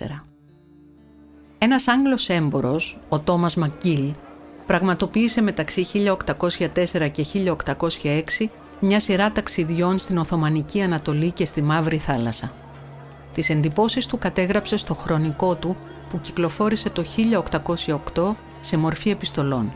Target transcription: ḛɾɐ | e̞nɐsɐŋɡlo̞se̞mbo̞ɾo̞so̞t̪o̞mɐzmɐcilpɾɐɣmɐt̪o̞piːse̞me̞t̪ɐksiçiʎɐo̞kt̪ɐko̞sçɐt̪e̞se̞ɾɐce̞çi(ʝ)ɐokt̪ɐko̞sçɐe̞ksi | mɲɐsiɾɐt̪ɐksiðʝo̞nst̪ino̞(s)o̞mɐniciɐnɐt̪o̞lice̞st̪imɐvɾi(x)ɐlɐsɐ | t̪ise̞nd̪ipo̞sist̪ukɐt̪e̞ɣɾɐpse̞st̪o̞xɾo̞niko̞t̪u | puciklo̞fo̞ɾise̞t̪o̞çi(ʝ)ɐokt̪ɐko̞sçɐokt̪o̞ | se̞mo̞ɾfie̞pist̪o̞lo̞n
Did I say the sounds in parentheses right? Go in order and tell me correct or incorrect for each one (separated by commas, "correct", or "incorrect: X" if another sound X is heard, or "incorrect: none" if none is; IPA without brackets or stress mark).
incorrect: ʎ, incorrect: θ, incorrect: θ, incorrect: ʎ